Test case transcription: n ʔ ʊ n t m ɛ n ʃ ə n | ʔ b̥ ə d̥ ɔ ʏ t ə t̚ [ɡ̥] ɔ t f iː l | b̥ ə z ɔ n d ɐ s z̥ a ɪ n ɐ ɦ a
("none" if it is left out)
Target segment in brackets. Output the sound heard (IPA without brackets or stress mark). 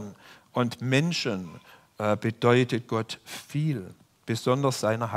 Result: ɡ̥